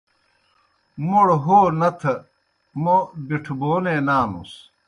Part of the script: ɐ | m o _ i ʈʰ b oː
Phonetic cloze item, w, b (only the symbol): b